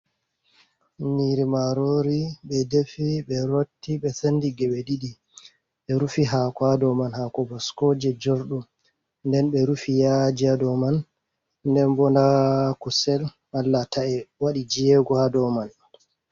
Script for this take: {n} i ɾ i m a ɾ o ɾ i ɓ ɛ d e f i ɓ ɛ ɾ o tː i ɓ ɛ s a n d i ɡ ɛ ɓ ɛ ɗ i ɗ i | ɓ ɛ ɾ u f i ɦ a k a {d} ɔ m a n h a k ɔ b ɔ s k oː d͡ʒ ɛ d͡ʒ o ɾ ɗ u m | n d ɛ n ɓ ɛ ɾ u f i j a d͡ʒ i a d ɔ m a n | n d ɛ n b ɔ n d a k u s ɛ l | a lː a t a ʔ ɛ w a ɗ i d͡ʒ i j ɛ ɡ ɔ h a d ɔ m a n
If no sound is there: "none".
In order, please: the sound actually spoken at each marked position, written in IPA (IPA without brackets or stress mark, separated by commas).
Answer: n, d